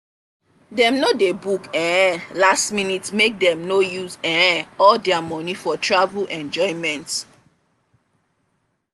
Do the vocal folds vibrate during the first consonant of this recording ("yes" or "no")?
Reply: yes